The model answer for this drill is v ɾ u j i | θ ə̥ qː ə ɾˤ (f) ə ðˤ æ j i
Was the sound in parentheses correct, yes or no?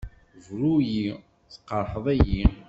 no